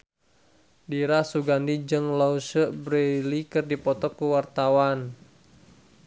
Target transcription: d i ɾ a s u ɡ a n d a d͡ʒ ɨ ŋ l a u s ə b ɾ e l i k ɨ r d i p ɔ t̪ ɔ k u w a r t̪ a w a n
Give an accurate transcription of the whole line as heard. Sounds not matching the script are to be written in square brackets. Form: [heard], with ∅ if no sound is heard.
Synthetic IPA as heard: d i ɾ a s u ɡ a n d [i] d͡ʒ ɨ ŋ l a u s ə b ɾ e l i k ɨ r d i p ɔ t̪ ɔ k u w a r t̪ a w a n

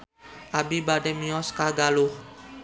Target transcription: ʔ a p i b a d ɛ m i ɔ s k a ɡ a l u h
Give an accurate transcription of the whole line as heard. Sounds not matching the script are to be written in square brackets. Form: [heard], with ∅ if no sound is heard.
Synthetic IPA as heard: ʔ a [b] i b a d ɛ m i ɔ s k a ɡ a l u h

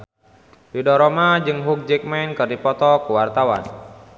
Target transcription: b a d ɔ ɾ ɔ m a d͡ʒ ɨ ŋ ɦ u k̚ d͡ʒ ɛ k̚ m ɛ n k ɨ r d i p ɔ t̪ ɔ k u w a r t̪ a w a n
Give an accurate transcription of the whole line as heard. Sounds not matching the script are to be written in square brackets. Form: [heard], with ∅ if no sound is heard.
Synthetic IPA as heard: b [i] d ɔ ɾ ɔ m a d͡ʒ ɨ ŋ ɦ u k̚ d͡ʒ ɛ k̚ m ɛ n k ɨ r d i p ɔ t̪ ɔ k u w a r t̪ a w a n

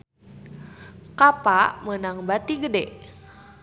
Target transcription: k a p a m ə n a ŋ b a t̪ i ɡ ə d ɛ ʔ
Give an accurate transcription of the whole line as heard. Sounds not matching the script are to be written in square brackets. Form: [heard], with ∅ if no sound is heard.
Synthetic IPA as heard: k a p a m ə n a ŋ b a t̪ i ɡ ə d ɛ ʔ

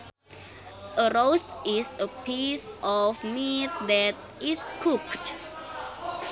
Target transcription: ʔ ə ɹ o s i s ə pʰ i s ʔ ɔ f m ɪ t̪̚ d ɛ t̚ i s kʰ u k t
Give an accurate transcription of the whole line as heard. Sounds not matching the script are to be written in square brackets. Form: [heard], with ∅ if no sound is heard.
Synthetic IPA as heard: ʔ ə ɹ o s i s ə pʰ i s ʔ ɔ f m [i] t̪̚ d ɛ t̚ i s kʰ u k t

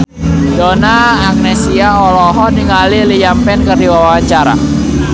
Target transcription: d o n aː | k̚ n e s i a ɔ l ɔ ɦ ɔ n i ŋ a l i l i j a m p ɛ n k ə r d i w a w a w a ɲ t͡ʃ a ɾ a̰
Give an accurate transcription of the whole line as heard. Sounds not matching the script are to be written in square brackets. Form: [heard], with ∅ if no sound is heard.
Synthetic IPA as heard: d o n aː | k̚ n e s i a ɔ l ɔ ɦ ɔ n i ŋ a l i l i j a m p ɛ n k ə r d i w a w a w a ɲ t͡ʃ a ɾ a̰

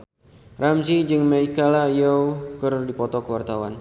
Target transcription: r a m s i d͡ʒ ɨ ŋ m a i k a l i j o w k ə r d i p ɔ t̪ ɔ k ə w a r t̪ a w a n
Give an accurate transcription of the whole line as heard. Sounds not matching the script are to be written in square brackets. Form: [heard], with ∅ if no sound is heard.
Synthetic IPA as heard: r a m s i d͡ʒ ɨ ŋ m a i k a l [a] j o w k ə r d i p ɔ t̪ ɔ k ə w a r t̪ a w a n

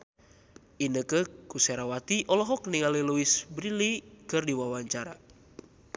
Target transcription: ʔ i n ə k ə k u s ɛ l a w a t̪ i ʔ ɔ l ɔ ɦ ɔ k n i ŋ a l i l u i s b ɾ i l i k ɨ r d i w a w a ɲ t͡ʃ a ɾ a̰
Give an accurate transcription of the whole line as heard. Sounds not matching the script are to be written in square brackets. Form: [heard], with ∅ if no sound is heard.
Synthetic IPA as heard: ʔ i n ə k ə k u s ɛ [ɾ] a w a t̪ i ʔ ɔ l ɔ ɦ ɔ k n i ŋ a l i l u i s b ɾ i l i k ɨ r d i w a w a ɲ t͡ʃ a ɾ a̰

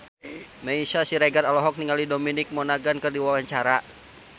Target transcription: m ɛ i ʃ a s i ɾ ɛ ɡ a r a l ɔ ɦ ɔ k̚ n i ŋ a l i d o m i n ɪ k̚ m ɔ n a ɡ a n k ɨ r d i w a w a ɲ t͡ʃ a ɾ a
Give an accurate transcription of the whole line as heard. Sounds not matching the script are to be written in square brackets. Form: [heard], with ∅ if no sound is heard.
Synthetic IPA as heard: m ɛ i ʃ a s i ɾ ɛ ɡ a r a l ɔ ɦ ɔ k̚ n i ŋ a l i d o m i n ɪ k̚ m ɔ n a ɡ a n k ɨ r d i w a w a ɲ t͡ʃ a ɾ a

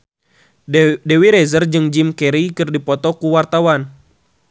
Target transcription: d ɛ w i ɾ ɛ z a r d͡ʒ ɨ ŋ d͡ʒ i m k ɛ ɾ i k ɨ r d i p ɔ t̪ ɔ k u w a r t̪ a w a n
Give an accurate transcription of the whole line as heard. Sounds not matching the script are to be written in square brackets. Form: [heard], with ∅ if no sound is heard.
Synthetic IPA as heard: d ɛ w i ɾ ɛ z [ə] r d͡ʒ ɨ ŋ d͡ʒ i m k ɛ ɾ i k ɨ r d i p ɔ t̪ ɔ k u w a r t̪ a w a n

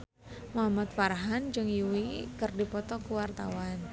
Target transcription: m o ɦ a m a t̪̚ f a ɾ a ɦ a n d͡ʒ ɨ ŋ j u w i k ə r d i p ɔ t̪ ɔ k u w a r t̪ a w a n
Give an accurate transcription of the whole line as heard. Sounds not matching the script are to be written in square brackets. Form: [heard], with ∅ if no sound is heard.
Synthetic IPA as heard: m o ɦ a m a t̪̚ f a ɾ a ɦ a n d͡ʒ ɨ ŋ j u w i k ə r d i p ɔ t̪ ɔ k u w a r t̪ a w a n

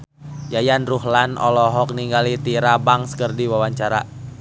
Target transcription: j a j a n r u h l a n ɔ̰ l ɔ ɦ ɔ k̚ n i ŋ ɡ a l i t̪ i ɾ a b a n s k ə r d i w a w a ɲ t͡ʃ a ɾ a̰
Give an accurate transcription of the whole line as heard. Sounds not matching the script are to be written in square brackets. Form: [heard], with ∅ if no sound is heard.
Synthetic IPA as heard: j a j a n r u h l a n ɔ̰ l ɔ ɦ ɔ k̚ n i ŋ ɡ a l i t̪ i ɾ a b a [ŋ] s k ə r d i w a w a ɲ t͡ʃ a ɾ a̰

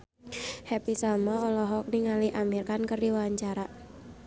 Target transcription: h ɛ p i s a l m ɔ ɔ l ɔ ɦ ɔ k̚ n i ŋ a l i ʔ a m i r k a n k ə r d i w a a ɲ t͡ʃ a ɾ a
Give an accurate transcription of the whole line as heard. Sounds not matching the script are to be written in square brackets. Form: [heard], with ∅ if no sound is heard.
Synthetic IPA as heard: h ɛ p i s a l m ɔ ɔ l ɔ ɦ ɔ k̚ n i ŋ a l i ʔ a m i r k a n k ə r d i w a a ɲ t͡ʃ a ɾ a

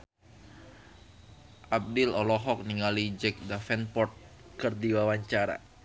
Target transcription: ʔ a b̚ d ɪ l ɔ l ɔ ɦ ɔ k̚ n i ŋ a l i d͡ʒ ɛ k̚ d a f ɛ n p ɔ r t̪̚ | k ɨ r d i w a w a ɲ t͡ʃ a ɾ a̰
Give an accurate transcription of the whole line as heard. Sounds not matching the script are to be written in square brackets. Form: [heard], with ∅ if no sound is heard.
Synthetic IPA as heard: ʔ a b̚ d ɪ l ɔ l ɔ ɦ ɔ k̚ n i ŋ a l i d͡ʒ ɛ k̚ d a f ɛ n p ɔ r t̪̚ | k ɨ r d i w a w a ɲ t͡ʃ a ɾ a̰

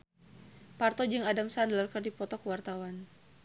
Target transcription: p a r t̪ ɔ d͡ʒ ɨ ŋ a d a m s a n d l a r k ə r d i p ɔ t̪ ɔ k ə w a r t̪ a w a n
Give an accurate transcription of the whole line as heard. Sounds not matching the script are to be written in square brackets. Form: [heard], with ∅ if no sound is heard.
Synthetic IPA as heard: p a r t̪ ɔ d͡ʒ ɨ ŋ a d a m s a n d l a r k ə r d i p ɔ t̪ ɔ k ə w a r t̪ a w a n

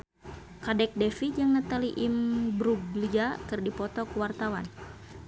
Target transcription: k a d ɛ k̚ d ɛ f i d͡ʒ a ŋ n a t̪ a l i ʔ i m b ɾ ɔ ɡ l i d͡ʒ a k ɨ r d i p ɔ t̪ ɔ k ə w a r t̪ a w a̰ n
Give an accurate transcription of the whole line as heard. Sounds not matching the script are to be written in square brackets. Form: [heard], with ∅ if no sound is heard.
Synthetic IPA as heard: k a d ɛ k̚ d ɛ f i d͡ʒ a ŋ n a t̪ a l i ʔ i m b ɾ [u] ɡ l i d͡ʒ a k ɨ r d i p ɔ t̪ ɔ k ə w a r t̪ a w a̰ n

